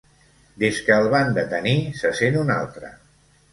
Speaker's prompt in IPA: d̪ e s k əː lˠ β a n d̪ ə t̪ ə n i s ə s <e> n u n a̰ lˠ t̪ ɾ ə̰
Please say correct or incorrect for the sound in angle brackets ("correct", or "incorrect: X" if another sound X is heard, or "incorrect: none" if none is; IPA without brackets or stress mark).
correct